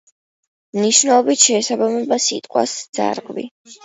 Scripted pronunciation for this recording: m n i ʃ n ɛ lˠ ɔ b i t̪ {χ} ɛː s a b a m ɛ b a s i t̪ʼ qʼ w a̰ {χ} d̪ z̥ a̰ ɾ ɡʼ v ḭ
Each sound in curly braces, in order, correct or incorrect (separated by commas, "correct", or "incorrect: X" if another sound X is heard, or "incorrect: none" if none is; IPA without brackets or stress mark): incorrect: ʃ, incorrect: s